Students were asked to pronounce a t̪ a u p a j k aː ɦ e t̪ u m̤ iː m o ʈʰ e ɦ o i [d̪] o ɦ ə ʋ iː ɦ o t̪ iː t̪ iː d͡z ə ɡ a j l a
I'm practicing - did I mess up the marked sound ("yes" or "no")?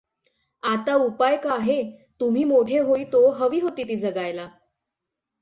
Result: yes